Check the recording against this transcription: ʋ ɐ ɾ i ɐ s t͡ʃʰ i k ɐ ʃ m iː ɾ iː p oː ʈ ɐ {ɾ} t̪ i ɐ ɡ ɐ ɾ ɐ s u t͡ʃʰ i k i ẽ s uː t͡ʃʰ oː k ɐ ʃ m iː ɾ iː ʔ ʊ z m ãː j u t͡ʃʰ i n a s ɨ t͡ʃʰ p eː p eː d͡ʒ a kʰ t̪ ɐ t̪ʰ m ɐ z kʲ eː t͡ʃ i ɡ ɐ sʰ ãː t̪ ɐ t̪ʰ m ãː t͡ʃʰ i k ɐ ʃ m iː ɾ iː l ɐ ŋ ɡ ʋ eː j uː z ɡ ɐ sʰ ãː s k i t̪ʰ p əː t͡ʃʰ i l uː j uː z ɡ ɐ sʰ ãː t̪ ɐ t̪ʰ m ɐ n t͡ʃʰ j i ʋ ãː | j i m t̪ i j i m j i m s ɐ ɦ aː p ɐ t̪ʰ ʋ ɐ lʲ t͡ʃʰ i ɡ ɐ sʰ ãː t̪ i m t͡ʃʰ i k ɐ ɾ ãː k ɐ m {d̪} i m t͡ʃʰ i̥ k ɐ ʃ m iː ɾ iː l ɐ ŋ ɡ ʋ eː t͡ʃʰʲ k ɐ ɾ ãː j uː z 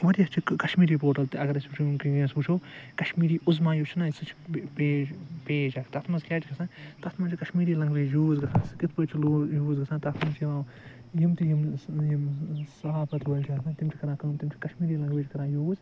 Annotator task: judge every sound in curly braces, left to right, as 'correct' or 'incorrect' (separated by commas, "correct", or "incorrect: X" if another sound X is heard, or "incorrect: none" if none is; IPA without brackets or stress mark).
incorrect: l, incorrect: t̪